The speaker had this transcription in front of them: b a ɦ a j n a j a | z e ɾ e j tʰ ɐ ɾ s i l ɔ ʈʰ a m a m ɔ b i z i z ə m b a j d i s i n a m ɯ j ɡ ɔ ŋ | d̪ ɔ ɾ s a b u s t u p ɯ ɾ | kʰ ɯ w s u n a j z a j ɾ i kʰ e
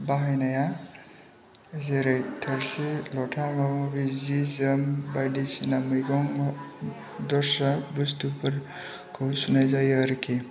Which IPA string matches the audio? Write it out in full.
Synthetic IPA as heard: b a ɦ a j n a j a | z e ɾ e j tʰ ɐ ɾ s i l ɔ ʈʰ a m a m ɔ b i z i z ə m b a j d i s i n a m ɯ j ɡ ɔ ŋ | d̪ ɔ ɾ s a b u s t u p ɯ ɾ | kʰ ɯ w s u n a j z a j ɾ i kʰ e